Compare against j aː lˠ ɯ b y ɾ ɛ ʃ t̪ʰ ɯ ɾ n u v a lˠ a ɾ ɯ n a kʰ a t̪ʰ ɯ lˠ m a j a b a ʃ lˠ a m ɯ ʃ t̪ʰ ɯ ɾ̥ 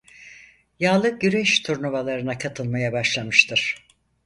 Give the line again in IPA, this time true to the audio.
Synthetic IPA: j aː lˠ ɯ ɟ y ɾ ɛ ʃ t̪ʰ u ɾ n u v a lˠ a ɾ ɯ n a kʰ a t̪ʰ ɯ lˠ m a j a b a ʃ lˠ a m ɯ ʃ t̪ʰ ɯ ɾ̥